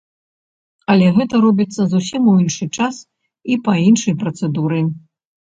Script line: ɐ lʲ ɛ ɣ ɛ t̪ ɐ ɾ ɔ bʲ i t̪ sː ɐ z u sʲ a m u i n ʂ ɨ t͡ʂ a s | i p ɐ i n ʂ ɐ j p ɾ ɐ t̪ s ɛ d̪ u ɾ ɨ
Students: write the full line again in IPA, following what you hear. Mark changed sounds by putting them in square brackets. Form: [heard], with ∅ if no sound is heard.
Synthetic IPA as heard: ɐ lʲ ɛ ɣ ɛ t̪ ɐ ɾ ɔ bʲ i t̪ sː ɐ z u sʲ [i] m u i n ʂ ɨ t͡ʂ a s | i p ɐ i n ʂ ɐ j p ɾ ɐ t̪ s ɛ d̪ u ɾ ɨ